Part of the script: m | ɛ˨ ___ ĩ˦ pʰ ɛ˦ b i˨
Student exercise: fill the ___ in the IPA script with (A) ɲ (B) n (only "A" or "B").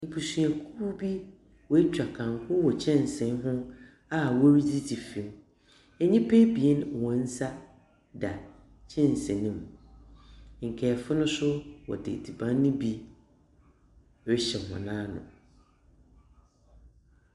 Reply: A